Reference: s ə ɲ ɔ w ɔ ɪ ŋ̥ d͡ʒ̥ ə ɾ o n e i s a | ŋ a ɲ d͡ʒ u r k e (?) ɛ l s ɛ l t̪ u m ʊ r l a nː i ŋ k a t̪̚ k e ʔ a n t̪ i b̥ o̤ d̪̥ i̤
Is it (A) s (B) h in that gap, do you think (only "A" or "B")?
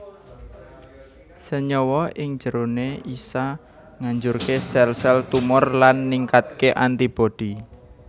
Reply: A